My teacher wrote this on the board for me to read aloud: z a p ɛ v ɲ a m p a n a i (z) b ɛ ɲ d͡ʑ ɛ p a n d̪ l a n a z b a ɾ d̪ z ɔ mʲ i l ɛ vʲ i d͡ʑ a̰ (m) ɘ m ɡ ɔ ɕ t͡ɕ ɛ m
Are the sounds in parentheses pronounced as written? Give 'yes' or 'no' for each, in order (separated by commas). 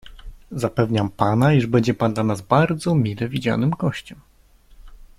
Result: no, no